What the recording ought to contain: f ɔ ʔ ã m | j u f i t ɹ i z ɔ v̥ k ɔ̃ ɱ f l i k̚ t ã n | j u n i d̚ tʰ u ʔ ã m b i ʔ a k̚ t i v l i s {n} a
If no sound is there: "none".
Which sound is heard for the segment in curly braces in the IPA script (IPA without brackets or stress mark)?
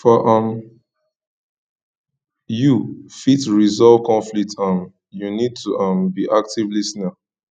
n